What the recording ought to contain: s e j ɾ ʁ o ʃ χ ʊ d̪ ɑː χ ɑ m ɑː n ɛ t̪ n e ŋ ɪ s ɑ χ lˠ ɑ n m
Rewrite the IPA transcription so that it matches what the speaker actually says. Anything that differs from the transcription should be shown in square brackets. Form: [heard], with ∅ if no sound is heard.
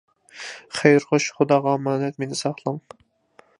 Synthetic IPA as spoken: [χ] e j ɾ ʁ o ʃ χ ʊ d̪ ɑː [ʁ] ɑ m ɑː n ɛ t̪ [m] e [n] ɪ s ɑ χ lˠ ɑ [∅] m